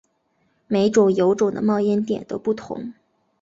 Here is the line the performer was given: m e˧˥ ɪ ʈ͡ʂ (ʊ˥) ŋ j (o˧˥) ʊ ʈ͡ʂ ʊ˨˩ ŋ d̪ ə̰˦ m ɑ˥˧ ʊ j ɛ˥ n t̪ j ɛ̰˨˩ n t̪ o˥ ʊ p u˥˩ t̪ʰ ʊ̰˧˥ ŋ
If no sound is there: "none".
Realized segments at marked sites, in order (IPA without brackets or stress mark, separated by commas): ʊ˨˩, o˧˥